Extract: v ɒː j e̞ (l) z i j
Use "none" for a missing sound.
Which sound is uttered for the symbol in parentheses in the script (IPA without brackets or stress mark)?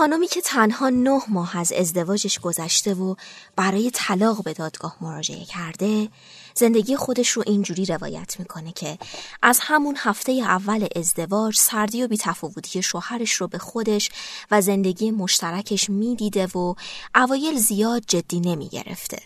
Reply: l